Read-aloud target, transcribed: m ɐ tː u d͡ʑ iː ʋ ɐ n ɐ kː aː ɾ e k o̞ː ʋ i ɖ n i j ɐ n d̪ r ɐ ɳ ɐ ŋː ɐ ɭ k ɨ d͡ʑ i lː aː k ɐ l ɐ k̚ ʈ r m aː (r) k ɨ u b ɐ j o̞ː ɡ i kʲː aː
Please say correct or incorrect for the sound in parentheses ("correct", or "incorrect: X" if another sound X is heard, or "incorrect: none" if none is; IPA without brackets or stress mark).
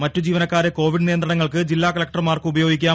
correct